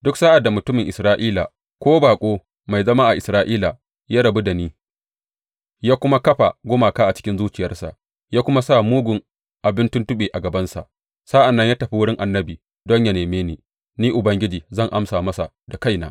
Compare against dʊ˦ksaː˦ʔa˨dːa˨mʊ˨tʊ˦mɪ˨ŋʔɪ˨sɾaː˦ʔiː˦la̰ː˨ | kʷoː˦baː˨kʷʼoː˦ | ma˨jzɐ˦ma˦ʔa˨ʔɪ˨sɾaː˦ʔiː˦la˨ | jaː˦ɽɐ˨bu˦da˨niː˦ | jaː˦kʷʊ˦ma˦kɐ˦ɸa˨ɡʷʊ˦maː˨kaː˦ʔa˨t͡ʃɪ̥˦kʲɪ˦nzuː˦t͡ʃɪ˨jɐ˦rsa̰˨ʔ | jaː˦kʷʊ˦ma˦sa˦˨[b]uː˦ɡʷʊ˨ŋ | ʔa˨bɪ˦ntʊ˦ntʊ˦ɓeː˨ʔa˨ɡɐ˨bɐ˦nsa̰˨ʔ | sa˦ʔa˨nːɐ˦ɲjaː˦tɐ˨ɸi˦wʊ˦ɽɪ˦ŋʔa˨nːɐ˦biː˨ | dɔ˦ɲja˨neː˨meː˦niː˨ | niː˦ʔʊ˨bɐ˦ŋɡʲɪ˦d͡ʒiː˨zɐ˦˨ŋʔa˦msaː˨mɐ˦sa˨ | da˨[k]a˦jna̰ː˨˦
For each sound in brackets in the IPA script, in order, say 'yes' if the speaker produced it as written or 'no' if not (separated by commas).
no, yes